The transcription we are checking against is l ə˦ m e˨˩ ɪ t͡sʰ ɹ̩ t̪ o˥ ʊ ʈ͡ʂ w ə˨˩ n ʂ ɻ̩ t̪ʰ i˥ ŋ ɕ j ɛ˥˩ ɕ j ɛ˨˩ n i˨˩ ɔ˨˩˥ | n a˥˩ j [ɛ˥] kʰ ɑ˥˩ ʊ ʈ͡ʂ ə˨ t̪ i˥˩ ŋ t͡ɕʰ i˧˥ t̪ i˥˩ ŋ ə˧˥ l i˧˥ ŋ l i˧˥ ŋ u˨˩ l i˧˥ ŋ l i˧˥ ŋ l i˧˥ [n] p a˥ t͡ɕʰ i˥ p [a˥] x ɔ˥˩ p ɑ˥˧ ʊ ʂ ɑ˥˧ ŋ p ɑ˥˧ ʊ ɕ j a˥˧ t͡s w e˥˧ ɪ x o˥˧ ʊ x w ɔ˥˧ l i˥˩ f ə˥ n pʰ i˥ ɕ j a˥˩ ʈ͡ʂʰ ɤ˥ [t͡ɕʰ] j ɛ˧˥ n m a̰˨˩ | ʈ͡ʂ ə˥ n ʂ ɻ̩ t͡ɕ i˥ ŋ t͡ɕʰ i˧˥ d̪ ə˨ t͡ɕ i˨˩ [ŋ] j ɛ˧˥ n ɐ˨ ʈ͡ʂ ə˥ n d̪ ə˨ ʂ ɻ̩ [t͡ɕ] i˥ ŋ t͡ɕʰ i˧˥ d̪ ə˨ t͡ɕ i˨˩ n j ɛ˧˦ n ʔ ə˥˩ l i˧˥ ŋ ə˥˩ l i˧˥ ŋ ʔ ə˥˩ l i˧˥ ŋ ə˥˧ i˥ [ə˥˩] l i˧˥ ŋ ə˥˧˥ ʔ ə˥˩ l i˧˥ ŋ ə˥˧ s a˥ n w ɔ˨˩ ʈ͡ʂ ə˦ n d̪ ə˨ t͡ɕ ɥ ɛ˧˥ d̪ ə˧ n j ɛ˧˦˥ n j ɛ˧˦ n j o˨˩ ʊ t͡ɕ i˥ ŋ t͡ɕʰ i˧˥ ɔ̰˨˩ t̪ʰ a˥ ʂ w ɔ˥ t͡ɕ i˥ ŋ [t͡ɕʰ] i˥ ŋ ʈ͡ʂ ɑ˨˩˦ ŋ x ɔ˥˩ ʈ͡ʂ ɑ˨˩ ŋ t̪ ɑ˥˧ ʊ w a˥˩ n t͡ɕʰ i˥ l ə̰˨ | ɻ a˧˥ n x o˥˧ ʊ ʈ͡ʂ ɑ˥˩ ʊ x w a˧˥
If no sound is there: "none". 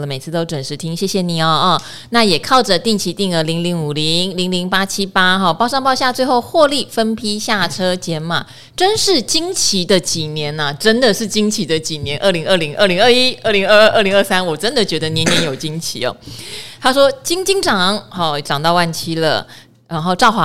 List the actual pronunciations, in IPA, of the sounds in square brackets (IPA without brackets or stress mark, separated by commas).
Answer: ɛ˨˩, ŋ, a˥, t͡ɕ, n, t͡ɕ, ə˥˩, t͡ɕ